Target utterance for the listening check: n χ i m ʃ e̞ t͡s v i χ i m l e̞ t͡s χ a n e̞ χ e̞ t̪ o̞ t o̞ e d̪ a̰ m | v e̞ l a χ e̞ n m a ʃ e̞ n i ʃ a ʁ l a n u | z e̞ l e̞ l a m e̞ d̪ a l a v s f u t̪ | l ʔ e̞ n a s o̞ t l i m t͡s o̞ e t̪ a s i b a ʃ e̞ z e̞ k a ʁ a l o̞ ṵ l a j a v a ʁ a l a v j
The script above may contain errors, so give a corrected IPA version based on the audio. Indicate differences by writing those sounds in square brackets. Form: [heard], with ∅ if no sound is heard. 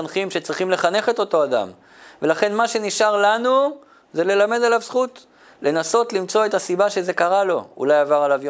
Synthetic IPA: n χ i m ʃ e̞ t͡s [ʁ] i χ i m l e̞ [∅] χ a n e̞ χ e̞ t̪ o̞ t o̞ [a] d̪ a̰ m | v e̞ l a χ e̞ n m a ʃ e̞ n i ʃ a ʁ l a n u | z e̞ l e̞ l a m e̞ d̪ a l a v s [χ] u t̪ | l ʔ e̞ n a s o̞ t l i m t͡s o̞ e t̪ a s i b a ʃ e̞ z e̞ k a ʁ a l o̞ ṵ l a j a v a ʁ a l a v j